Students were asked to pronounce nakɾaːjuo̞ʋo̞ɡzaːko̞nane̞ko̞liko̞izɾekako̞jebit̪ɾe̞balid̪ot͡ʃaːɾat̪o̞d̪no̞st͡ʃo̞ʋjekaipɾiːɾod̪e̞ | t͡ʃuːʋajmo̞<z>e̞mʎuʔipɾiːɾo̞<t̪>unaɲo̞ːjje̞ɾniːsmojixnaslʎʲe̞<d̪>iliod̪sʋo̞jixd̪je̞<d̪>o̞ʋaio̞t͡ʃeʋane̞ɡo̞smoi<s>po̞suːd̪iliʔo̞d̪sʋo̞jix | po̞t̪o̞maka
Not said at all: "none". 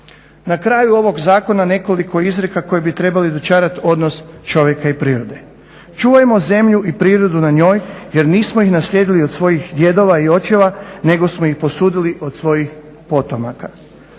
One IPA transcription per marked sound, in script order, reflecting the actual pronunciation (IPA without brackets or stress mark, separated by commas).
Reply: z, d̪, d̪, d̪, x